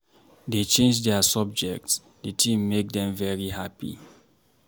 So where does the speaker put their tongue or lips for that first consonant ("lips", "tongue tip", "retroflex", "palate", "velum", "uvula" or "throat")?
tongue tip